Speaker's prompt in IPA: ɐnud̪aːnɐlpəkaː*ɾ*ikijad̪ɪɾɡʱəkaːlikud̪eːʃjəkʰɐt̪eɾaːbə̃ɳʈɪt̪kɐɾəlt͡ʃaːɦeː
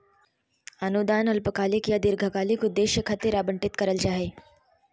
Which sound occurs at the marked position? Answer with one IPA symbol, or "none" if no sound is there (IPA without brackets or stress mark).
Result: l